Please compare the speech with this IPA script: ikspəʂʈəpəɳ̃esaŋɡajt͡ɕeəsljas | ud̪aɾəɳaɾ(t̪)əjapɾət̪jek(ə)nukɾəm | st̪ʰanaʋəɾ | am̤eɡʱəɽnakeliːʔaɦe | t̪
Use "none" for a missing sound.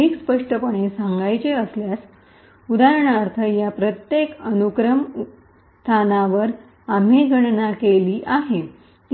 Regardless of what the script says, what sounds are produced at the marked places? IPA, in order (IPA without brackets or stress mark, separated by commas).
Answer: t̪ʰ, ə